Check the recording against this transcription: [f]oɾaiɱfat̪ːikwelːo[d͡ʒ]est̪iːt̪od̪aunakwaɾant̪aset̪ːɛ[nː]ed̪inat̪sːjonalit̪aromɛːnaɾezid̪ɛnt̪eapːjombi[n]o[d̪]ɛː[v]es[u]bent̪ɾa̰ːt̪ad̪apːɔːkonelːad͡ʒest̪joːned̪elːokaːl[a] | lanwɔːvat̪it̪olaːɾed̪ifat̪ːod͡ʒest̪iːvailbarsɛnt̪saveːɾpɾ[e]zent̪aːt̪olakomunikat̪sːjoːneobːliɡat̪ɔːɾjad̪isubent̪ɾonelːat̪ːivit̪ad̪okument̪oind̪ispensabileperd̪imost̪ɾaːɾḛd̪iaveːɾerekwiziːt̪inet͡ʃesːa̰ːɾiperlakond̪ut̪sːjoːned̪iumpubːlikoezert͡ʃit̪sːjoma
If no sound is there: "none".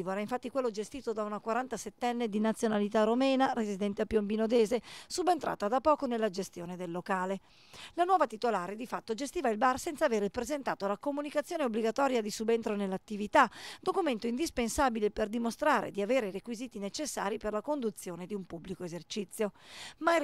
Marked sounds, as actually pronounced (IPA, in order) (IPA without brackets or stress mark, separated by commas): v, d͡ʒ, nː, n, d̪, z, u, e, e